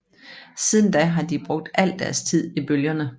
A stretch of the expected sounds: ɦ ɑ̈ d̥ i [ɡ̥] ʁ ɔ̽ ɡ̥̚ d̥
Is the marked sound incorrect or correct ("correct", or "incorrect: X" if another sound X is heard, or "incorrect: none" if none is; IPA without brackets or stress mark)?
incorrect: b̥